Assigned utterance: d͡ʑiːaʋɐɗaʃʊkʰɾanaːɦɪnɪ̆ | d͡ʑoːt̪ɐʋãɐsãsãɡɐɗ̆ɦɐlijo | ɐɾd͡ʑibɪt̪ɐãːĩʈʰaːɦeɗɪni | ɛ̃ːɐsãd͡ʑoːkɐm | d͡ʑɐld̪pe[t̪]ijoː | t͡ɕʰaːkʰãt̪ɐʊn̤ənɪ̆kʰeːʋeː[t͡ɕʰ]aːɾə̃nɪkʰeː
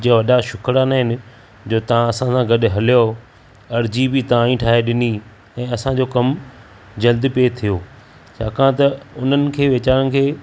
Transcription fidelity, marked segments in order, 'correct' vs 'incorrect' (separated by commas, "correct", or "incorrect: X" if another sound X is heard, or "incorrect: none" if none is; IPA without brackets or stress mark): incorrect: t̪ʰ, incorrect: t͡ɕ